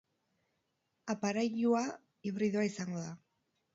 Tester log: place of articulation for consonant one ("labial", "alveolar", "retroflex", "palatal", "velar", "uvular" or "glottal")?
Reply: labial